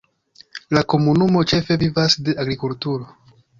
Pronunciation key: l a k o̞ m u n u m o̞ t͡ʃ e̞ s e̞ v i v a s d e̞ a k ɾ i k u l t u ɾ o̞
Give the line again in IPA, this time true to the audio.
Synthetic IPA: l a k o̞ m u n u m o̞ t͡ʃ e̞ f e̞ v i v a s d e̞ a ɡ ɾ i k u l t u ɾ o̞